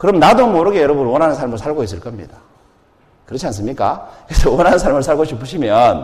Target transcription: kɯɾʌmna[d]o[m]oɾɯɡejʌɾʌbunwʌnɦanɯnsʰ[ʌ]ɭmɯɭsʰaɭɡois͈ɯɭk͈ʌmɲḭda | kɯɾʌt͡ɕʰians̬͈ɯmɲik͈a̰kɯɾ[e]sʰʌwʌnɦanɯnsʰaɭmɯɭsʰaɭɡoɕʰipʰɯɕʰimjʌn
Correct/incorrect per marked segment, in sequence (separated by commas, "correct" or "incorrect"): correct, correct, incorrect, correct